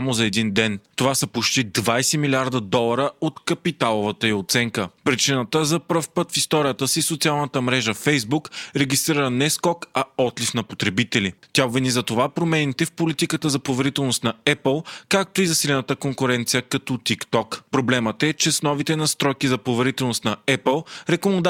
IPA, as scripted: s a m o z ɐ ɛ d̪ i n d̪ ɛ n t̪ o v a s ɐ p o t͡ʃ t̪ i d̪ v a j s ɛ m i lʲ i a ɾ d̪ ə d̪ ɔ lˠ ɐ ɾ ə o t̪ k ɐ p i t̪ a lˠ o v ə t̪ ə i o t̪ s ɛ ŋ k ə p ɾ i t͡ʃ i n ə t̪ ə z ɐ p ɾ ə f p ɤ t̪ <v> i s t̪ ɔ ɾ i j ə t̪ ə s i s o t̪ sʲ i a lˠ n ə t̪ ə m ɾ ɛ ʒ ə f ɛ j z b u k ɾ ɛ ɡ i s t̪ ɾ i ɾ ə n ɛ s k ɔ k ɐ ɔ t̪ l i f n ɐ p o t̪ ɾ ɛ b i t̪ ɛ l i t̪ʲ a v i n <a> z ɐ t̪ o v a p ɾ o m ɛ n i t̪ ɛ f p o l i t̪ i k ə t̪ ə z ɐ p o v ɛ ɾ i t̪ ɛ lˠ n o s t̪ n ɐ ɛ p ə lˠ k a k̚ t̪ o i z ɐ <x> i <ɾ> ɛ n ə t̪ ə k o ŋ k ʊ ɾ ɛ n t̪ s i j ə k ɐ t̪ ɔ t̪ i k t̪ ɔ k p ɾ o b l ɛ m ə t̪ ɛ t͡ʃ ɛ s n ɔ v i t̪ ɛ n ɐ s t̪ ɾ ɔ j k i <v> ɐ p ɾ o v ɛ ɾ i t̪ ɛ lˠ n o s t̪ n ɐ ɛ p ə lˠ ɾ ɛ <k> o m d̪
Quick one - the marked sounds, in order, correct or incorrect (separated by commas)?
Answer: incorrect, incorrect, incorrect, incorrect, incorrect, correct